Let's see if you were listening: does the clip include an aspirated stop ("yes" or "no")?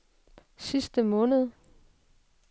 no